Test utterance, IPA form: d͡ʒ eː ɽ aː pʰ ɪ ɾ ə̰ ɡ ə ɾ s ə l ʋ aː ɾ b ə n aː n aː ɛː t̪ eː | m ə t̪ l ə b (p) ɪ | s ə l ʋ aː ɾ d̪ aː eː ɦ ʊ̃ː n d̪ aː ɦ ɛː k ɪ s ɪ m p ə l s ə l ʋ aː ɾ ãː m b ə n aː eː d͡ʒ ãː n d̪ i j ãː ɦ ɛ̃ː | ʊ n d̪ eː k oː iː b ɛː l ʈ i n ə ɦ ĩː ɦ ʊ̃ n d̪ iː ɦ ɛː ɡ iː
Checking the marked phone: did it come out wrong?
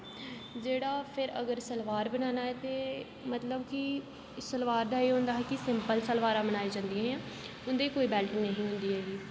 yes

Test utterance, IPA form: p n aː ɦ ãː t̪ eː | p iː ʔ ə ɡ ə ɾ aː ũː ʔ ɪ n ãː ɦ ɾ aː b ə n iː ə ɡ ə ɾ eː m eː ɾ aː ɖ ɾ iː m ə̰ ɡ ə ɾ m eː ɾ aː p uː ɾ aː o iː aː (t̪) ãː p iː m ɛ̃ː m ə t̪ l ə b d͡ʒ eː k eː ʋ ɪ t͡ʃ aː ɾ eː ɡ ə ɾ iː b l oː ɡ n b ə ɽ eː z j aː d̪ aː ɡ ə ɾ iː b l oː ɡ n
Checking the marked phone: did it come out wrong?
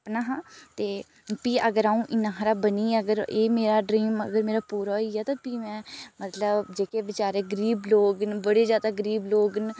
no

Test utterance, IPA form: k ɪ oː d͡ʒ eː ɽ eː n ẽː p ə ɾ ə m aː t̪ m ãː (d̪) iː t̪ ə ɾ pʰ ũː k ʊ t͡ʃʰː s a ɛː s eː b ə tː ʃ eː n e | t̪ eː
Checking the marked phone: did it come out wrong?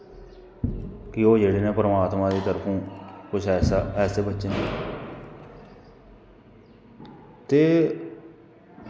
no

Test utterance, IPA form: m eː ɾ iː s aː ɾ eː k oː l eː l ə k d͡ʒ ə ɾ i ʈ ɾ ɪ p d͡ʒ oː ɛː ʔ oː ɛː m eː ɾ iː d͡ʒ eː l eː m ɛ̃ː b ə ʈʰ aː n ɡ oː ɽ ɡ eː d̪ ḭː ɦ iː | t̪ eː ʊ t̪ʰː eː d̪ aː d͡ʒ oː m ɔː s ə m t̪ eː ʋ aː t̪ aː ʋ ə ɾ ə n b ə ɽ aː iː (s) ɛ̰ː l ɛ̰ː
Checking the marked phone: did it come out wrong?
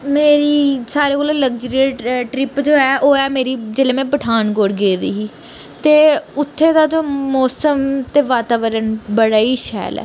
yes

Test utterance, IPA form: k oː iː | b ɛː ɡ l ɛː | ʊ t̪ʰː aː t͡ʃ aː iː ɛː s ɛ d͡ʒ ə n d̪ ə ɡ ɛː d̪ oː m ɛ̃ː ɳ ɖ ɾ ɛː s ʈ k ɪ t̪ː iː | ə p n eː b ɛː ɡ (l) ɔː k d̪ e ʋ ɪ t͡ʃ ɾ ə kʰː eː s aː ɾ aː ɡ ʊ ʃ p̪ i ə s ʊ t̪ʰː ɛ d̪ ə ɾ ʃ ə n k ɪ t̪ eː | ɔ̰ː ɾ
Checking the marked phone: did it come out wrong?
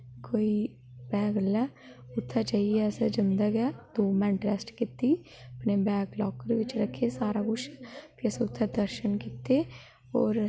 no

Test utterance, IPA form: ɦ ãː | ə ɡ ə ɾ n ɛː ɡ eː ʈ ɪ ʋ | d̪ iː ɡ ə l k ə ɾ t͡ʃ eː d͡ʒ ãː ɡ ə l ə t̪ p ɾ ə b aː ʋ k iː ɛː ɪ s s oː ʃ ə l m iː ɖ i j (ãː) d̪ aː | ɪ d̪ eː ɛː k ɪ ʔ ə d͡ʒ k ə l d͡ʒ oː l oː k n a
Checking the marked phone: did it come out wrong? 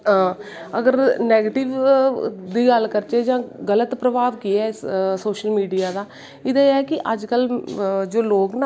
yes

